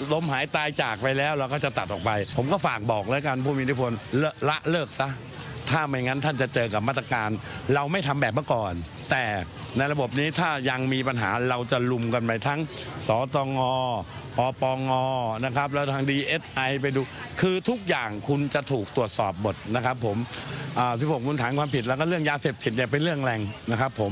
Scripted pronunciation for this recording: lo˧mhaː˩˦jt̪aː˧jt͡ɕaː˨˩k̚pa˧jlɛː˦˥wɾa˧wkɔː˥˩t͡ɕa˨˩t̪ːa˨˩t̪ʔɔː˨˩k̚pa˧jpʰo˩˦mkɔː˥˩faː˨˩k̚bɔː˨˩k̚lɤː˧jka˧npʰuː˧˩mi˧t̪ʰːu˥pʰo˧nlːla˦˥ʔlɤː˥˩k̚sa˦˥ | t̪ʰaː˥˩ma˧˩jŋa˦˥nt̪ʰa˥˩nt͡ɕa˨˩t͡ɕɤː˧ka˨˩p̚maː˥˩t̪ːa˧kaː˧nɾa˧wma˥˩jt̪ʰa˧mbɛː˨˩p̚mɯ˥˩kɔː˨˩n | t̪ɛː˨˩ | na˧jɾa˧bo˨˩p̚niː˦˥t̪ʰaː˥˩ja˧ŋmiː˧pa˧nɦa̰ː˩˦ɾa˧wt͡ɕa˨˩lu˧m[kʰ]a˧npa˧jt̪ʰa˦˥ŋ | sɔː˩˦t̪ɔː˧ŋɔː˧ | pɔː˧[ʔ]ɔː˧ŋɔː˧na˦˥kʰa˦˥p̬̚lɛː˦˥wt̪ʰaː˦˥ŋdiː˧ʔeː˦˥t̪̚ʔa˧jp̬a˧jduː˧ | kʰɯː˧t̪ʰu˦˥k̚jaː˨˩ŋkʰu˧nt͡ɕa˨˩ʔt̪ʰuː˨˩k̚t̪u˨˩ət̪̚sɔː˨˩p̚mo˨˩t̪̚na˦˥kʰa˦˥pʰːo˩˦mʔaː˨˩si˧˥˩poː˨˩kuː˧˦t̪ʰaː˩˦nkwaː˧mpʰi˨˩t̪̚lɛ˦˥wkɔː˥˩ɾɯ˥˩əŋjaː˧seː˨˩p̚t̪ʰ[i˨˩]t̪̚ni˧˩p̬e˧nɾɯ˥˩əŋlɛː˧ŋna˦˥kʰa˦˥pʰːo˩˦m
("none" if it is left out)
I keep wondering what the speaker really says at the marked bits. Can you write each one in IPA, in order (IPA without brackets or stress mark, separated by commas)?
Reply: k, p, i˨˩